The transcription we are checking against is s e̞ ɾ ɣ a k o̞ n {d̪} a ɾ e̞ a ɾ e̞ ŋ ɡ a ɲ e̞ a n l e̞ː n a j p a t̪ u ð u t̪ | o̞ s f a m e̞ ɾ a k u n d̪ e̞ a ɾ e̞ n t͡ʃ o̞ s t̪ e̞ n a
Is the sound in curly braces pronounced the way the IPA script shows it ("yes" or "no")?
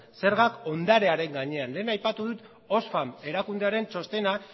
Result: yes